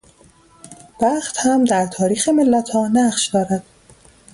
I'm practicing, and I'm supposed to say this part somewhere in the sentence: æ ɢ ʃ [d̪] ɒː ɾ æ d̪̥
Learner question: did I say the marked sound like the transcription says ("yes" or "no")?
yes